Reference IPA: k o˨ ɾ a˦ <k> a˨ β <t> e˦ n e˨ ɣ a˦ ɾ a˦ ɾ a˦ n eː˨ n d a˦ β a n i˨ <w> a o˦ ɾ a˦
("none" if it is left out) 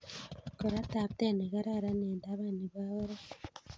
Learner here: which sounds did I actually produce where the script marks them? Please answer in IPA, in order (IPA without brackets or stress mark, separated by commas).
t, t, β